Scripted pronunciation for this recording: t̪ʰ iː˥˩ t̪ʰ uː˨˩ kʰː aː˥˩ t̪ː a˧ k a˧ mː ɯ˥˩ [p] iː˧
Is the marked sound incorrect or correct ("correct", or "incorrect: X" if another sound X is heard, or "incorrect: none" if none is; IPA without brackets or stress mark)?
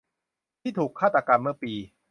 correct